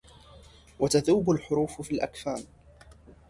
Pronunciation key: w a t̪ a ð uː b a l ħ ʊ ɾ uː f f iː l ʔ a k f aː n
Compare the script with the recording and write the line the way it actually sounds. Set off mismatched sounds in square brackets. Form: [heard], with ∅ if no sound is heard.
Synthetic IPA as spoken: w a t̪ a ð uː b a l ħ ʊ ɾ uː f f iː l ʔ a k f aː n